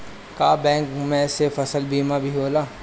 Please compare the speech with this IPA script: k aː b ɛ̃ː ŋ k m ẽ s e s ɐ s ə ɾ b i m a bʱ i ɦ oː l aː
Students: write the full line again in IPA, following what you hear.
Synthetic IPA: k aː b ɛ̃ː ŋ k m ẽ s e f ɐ s ə l b iː m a bʱ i ɦ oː l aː